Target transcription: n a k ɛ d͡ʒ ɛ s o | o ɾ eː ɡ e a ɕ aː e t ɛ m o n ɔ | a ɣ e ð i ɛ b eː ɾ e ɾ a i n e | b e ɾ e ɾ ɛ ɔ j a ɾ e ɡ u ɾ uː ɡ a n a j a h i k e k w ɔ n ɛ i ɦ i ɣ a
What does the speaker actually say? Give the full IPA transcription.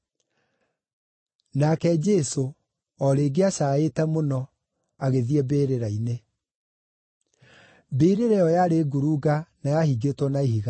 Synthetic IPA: n a k ɛ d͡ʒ ɛ s o | ɔ ɾ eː ɡ e a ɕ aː e t ɛ m o n ɔ | a ɣ e ð i ɛ b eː ɾ e ɾ a i n e | b e ɾ e ɾ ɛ ɔ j a ɾ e ɡ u ɾ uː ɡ a n a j a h i ɡ e t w ɔ n a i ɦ i ɣ a